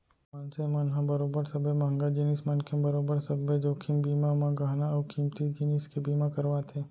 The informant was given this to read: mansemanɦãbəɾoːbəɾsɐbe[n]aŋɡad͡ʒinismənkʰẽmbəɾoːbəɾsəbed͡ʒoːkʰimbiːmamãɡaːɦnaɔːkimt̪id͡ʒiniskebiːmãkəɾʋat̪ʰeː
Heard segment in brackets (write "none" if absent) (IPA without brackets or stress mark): m